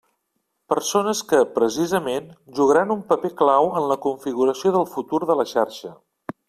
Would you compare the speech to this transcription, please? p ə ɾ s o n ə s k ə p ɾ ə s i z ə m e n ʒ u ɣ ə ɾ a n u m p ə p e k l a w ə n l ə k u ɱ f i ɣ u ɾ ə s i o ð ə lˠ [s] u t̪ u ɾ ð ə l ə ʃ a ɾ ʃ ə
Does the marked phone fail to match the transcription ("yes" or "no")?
yes